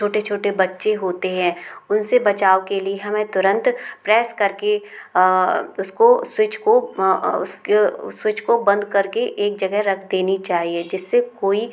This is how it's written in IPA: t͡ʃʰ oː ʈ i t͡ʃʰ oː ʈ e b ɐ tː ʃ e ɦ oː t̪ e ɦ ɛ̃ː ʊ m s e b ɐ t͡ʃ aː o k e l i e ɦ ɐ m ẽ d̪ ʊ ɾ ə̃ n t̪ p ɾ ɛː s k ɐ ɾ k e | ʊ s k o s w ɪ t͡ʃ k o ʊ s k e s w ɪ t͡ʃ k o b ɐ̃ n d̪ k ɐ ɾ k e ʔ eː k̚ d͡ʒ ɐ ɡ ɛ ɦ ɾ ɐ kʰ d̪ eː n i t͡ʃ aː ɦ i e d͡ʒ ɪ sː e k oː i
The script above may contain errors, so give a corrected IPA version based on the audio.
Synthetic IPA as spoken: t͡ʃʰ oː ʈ e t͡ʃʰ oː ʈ e b ɐ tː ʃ e ɦ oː t̪ e ɦ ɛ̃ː ʊ n s e b ɐ t͡ʃ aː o k e l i e ɦ ɐ m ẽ t̪ ʊ ɾ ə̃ n t̪ p ɾ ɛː s k ɐ ɾ k e | ʊ s k o s w ɪ t͡ʃ k o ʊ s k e s w ɪ t͡ʃ k o b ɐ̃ n d̪ k ɐ ɾ k e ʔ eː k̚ d͡ʒ ɐ ɡ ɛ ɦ ɾ ɐ kʰ d̪ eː n i t͡ʃ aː ɦ i e d͡ʒ ɪ sː e k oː i